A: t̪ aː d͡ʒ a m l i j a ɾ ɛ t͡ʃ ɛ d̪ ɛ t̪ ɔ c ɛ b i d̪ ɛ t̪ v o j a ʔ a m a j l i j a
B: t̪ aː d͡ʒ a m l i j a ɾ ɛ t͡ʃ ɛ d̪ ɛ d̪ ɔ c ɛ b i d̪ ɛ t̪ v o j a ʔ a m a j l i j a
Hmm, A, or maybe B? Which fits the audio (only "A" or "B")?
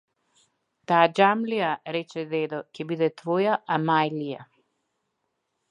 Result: B